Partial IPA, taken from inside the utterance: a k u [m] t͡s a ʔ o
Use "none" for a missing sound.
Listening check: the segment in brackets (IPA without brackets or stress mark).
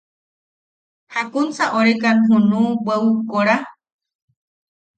n